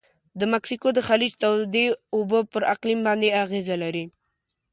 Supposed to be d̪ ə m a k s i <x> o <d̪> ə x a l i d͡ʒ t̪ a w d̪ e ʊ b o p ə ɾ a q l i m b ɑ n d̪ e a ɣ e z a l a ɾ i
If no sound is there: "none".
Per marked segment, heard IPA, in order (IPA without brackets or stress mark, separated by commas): k, d̪